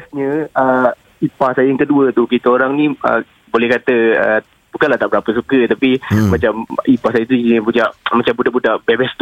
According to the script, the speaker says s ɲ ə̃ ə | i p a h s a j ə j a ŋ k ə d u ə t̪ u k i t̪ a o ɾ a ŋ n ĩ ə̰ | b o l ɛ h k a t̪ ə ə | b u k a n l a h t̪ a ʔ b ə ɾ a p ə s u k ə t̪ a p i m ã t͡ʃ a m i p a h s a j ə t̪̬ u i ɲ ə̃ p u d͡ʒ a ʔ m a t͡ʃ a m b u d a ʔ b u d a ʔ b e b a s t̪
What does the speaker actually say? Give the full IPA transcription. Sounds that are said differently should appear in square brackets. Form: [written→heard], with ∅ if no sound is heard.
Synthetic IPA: s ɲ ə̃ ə | i p a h s a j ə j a ŋ k ə d u ə t̪ u k i t̪ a o ɾ a ŋ n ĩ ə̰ | b o l ɛ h k a t̪ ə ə | b u k a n l a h t̪ a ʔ b ə ɾ a p ə s u k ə t̪ a p i m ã t͡ʃ a m i p a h s a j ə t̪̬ u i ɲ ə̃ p u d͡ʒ a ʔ m a t͡ʃ a m b u d a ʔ b u d a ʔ b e b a s t̪